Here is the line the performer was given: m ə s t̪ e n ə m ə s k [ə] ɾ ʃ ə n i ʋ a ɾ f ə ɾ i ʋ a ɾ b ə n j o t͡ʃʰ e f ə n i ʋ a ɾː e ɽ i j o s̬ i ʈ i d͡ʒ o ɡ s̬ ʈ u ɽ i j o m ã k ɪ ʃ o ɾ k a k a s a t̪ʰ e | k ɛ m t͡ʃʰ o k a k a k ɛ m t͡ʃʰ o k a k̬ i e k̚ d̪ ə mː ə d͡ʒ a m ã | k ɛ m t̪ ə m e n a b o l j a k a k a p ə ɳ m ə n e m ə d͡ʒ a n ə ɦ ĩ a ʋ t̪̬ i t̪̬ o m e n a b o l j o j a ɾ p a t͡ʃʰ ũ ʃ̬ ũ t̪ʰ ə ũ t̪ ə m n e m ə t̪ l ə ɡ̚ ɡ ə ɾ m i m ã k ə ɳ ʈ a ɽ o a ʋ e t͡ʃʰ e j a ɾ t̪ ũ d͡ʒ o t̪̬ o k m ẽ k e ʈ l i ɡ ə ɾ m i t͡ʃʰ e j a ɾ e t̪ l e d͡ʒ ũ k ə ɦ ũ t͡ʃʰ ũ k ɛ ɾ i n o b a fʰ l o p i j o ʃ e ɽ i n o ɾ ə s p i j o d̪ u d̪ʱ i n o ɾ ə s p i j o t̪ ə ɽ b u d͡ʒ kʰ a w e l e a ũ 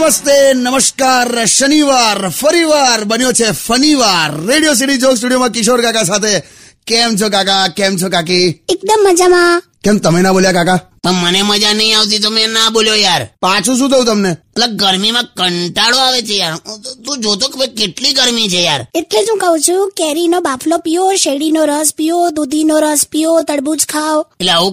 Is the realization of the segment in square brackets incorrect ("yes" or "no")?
yes